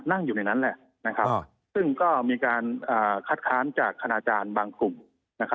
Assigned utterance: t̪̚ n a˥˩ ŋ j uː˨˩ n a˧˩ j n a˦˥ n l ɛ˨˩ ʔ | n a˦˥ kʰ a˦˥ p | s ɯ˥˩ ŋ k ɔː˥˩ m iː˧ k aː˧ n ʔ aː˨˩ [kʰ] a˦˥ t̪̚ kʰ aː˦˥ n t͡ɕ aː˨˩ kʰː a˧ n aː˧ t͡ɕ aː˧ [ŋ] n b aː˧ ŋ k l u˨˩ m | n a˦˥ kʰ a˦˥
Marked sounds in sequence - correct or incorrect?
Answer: correct, incorrect: none

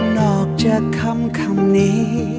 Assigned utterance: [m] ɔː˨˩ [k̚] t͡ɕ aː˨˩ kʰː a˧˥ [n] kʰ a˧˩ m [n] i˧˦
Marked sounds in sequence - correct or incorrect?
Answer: incorrect: n, correct, incorrect: m, correct

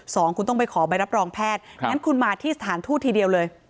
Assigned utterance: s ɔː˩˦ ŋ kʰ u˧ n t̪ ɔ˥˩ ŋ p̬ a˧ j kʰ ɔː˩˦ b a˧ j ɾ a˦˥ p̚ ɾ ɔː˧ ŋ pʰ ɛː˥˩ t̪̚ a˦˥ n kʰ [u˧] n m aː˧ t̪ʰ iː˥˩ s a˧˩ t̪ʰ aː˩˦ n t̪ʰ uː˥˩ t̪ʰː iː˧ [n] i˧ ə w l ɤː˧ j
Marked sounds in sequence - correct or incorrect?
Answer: correct, incorrect: d

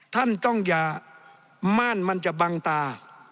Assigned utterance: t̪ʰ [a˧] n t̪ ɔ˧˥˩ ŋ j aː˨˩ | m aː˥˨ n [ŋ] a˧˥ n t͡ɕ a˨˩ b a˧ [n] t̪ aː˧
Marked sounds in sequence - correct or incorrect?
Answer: incorrect: a˥˨, incorrect: m, incorrect: ŋ

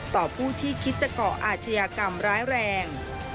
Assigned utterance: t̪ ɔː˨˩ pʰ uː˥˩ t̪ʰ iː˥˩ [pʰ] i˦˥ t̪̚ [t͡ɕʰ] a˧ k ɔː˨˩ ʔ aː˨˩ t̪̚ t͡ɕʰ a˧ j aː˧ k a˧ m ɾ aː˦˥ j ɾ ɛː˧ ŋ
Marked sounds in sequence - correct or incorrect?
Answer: incorrect: kʰ, incorrect: t͡ɕ

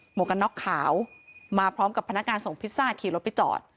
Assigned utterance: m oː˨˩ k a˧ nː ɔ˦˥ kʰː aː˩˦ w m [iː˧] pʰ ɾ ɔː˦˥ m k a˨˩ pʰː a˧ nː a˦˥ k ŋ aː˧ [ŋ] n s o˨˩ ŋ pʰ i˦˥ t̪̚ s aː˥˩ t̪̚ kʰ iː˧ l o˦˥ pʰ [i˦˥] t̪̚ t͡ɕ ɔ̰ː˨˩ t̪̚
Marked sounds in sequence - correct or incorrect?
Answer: incorrect: aː˧, incorrect: none, correct

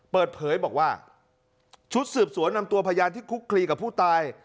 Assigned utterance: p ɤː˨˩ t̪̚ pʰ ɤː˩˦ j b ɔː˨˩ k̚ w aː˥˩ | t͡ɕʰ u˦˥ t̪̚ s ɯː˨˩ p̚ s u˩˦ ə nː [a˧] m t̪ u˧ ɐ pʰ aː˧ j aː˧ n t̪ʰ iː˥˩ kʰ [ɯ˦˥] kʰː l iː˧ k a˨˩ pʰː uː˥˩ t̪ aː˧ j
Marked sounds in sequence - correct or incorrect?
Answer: correct, incorrect: u˦˥

